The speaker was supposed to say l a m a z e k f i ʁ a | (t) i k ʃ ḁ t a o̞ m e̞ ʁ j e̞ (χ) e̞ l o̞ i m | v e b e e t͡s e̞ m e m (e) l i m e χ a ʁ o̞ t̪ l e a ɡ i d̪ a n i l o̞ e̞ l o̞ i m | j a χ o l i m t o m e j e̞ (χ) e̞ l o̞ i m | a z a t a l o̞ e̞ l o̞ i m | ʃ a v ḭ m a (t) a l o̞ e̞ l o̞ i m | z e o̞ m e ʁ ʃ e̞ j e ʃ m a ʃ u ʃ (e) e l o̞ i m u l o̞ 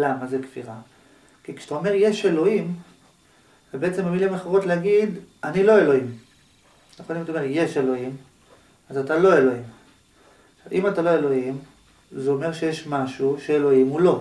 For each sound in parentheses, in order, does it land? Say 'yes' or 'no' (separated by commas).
no, no, no, no, yes, yes